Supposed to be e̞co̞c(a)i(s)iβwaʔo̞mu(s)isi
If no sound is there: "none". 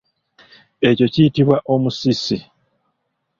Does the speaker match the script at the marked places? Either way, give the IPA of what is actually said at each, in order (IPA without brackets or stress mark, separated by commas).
i, t, s